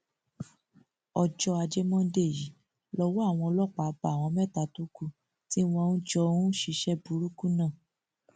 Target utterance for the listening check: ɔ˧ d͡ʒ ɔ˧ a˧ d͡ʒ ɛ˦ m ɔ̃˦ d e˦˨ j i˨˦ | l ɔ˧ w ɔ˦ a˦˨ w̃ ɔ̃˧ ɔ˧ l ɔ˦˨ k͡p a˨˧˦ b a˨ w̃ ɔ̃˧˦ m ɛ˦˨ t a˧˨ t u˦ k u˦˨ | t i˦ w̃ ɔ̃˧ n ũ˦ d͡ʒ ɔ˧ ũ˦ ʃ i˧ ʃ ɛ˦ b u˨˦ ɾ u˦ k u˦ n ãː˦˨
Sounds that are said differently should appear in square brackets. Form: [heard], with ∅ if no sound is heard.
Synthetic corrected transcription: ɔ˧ d͡ʒ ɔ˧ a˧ d͡ʒ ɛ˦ m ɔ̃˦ d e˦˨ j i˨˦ | l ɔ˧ w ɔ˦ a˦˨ w̃ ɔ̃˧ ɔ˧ l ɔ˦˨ k͡p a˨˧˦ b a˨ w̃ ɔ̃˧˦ m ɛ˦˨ t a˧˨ t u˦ k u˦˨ | t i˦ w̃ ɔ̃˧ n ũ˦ d͡ʒ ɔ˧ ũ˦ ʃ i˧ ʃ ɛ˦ b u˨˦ ɾ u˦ k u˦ n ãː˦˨